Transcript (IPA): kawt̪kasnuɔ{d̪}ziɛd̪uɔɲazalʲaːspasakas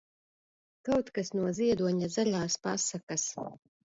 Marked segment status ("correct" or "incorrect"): incorrect